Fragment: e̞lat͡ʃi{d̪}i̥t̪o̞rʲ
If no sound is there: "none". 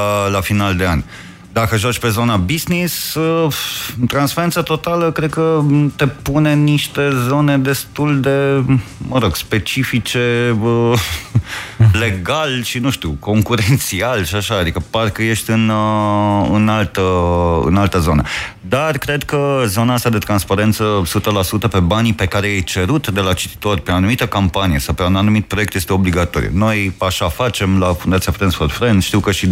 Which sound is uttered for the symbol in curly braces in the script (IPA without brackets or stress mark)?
t̪